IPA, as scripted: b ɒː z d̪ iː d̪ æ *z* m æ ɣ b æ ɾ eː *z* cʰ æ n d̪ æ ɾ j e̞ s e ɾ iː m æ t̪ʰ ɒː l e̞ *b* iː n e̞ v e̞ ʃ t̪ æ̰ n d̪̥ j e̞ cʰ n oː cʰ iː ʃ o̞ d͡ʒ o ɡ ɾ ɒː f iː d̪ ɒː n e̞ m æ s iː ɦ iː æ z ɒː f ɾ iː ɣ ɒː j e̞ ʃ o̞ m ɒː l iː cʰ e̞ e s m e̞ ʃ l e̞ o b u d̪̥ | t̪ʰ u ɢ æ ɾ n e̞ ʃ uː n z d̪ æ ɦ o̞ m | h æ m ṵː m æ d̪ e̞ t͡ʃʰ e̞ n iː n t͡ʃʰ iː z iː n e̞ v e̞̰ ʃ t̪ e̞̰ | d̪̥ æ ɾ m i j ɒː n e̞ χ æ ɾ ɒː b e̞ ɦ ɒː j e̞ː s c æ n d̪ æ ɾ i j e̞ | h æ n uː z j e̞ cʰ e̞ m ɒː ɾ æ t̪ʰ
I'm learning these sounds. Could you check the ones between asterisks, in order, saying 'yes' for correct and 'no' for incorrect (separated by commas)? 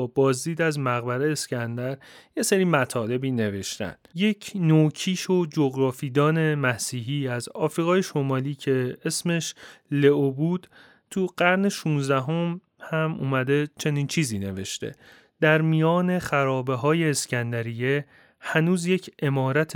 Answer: yes, no, yes